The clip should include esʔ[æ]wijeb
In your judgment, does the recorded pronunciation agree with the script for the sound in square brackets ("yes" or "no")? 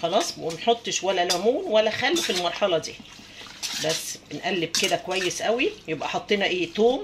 yes